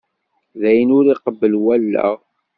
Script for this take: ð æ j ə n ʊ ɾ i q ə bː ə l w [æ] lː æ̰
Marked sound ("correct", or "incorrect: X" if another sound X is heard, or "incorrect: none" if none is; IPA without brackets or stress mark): correct